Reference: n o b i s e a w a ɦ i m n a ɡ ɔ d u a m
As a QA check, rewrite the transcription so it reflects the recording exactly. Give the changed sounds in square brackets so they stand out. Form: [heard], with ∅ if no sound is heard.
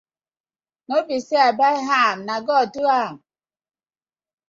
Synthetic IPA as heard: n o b i s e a [b] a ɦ [a] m n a ɡ ɔ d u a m